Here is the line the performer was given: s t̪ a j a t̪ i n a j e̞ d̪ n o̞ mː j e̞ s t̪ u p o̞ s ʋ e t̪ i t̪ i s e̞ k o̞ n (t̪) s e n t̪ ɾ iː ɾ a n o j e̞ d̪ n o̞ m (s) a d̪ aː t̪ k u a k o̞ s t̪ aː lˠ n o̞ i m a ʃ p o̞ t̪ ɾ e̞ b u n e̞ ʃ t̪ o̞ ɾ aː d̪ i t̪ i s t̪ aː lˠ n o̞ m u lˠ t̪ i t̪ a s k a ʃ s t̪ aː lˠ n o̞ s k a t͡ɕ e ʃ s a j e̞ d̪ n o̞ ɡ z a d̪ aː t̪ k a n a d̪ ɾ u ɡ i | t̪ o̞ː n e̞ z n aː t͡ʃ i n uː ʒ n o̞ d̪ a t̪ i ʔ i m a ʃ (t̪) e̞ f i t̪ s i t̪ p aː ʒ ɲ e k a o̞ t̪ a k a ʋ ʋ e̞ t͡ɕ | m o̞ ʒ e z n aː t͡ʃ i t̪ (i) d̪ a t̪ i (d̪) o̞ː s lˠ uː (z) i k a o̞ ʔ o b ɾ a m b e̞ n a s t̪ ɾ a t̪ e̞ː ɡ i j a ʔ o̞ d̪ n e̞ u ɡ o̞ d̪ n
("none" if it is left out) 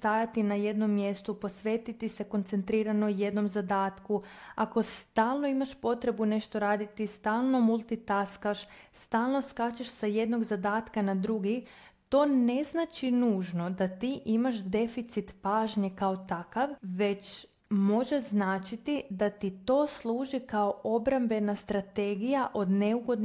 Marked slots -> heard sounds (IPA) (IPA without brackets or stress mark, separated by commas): t̪, z, d̪, i, t̪, ʒ